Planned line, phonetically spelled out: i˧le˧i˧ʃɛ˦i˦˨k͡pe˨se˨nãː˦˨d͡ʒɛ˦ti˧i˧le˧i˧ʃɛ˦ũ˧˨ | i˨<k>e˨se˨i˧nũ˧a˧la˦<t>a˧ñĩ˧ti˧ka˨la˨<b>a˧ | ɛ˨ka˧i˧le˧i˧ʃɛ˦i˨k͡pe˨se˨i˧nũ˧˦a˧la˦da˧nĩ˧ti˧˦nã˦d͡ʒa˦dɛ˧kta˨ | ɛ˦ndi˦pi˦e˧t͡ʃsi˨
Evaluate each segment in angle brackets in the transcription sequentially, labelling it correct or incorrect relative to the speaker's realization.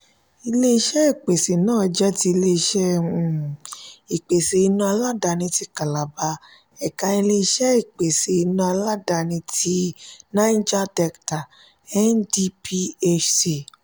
incorrect: k͡p, incorrect: d, correct

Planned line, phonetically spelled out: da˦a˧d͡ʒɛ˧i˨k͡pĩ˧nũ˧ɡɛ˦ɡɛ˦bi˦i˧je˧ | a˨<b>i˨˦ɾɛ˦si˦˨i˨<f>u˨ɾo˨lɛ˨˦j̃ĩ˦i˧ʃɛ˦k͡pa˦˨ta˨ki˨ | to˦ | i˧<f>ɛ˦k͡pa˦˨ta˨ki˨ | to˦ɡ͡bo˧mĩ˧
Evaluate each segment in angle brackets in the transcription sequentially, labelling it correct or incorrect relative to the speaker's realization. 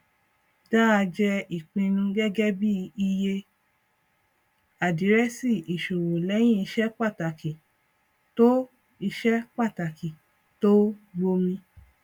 incorrect: d, incorrect: ʃ, incorrect: ʃ

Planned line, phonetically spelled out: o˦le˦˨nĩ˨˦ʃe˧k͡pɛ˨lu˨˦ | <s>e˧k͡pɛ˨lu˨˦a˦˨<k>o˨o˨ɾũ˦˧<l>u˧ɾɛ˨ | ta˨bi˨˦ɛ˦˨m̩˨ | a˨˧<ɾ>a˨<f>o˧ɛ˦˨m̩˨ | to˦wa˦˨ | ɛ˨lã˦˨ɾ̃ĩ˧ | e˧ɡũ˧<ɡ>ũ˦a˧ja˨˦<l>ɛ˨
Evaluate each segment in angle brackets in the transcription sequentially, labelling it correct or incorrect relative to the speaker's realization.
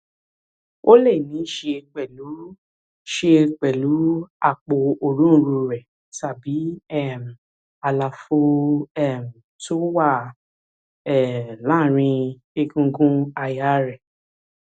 incorrect: ʃ, incorrect: k͡p, incorrect: ɾ, incorrect: l, correct, correct, incorrect: ɾ

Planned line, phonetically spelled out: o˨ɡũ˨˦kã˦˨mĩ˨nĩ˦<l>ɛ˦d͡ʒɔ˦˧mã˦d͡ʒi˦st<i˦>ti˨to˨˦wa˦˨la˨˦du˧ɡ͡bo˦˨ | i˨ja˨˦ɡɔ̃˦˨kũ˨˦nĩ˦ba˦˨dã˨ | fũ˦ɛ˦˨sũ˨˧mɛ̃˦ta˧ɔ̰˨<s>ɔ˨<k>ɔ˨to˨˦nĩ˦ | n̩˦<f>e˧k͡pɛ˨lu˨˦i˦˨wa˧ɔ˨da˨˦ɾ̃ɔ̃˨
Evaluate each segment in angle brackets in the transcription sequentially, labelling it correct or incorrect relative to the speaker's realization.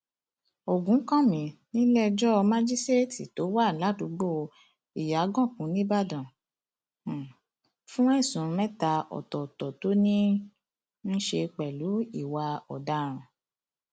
correct, incorrect: e˦, incorrect: t, incorrect: t, incorrect: ʃ

